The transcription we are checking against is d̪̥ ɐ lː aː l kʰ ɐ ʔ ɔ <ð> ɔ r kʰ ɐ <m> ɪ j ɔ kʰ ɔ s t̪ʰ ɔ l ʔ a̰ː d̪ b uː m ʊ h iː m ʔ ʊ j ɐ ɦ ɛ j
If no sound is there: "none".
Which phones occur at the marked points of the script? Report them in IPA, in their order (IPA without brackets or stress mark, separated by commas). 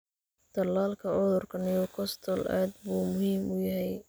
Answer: ð, n